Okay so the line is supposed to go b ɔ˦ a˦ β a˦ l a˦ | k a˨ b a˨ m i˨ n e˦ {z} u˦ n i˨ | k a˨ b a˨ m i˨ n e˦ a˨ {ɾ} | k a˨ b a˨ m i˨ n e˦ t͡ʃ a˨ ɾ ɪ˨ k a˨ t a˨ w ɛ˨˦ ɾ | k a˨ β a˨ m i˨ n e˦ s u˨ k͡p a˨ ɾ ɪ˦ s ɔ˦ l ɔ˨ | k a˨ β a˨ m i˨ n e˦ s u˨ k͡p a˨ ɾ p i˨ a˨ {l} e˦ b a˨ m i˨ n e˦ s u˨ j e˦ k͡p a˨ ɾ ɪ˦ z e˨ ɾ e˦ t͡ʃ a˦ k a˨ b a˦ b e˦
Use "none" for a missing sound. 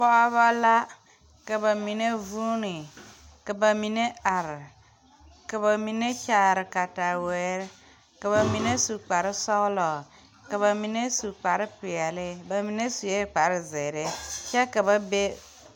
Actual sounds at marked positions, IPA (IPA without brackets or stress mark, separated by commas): v, ɾ, l